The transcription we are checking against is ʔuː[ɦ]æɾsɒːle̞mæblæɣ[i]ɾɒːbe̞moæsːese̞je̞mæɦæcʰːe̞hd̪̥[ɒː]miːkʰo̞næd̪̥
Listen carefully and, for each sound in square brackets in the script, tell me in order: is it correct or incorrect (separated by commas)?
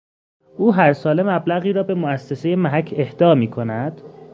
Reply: correct, incorrect, correct